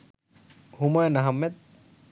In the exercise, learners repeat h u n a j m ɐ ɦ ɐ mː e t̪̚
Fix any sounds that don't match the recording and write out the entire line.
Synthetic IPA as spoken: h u m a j n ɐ ɦ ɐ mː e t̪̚